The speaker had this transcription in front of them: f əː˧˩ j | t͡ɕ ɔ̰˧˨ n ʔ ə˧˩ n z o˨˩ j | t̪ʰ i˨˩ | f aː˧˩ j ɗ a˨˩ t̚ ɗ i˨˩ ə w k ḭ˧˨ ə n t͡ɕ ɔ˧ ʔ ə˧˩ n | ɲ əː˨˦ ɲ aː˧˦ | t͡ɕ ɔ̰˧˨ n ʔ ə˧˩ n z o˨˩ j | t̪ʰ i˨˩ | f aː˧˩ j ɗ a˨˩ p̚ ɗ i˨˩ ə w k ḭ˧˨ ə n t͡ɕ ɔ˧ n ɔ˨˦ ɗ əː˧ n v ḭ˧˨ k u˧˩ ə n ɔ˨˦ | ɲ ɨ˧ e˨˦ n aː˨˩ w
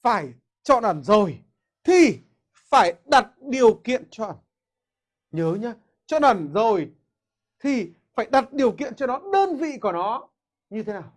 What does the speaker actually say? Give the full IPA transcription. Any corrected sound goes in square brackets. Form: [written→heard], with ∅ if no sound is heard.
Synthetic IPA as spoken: f [əː˧˩→aː˧˩] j | t͡ɕ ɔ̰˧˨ n ʔ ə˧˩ n z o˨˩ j | t̪ʰ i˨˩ | f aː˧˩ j ɗ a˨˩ t̚ ɗ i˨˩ ə w k ḭ˧˨ ə n t͡ɕ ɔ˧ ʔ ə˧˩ n | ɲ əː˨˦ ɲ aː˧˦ | t͡ɕ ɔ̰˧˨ n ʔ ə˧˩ n z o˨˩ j | t̪ʰ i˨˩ | f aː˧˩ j ɗ a˨˩ [p̚→t̚] ɗ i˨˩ ə w k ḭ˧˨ ə n t͡ɕ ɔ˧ n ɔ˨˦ ɗ əː˧ n v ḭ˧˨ k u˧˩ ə n ɔ˨˦ | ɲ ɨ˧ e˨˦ n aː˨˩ w

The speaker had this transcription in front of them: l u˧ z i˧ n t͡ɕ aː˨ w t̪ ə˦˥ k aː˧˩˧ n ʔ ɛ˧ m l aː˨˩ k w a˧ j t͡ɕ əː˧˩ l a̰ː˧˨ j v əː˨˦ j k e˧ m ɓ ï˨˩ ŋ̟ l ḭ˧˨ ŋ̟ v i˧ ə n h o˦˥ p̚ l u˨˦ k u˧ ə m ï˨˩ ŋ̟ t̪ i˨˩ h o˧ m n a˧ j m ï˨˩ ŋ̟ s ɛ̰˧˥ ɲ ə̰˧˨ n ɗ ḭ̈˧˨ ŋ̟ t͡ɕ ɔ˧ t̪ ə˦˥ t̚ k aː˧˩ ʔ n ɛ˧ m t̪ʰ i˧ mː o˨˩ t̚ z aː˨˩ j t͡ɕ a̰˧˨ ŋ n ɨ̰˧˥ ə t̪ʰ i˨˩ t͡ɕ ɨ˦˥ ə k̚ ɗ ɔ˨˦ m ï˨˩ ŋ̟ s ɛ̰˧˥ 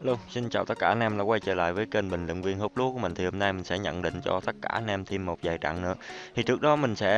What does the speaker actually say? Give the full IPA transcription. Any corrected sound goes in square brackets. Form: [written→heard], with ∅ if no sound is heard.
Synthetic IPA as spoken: l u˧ [z→s] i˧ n t͡ɕ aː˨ w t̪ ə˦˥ k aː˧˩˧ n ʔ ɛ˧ m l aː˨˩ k w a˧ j t͡ɕ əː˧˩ l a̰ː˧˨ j v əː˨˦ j k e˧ [m→n] ɓ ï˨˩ ŋ̟ l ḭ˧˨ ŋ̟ v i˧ ə n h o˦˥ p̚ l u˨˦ k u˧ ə m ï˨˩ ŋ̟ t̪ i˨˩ h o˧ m n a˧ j m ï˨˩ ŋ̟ s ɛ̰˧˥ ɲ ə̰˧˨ n ɗ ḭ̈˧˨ ŋ̟ t͡ɕ ɔ˧ t̪ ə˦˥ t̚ k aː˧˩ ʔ n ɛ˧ m t̪ʰ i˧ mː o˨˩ t̚ z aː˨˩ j t͡ɕ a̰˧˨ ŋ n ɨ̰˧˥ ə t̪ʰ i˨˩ t͡ɕ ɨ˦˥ ə k̚ ɗ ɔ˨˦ m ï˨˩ ŋ̟ s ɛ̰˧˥

